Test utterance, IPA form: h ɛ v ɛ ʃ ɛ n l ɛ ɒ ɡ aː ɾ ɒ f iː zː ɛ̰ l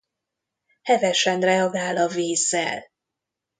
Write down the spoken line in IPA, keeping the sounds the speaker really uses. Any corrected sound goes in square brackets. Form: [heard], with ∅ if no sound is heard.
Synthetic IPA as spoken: h ɛ v ɛ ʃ ɛ n [r] ɛ ɒ ɡ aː [l] ɒ [v] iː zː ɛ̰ l